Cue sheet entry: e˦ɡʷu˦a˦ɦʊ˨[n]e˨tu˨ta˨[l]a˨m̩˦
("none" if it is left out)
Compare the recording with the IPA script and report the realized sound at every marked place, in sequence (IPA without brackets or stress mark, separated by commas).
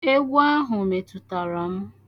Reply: m, ɾ